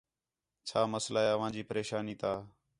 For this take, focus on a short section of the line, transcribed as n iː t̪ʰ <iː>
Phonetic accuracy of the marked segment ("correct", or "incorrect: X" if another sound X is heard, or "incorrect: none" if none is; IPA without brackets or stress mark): incorrect: aː